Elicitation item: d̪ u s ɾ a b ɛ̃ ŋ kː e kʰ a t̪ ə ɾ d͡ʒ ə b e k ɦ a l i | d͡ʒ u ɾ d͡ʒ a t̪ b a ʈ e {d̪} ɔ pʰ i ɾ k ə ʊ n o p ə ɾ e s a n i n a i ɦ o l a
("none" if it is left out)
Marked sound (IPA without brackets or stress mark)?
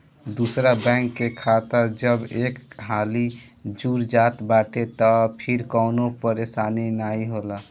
t̪